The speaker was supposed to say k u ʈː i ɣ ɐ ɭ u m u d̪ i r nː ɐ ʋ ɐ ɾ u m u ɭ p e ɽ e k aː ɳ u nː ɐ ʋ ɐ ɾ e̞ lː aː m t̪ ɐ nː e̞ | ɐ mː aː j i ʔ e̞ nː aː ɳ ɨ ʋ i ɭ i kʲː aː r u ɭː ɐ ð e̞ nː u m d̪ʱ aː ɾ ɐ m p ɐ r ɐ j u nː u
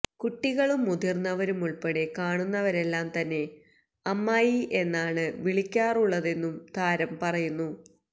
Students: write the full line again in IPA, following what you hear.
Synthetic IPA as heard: k u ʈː i ɣ ɐ ɭ u m u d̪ i r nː ɐ ʋ ɐ ɾ u m u ɭ p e ɽ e k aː ɳ u nː ɐ ʋ ɐ ɾ e̞ lː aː m t̪ ɐ nː e̞ | ɐ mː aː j i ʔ e̞ nː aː ɳ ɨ ʋ i ɭ i kʲː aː r u ɭː ɐ ð e̞ nː u m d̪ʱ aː ɾ ɐ m p ɐ r ɐ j u nː u